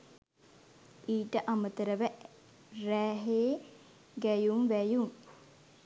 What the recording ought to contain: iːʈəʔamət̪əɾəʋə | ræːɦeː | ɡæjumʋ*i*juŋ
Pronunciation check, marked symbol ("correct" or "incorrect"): incorrect